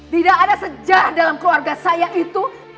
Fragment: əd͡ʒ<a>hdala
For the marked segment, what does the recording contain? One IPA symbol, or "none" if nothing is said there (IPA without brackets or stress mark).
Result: a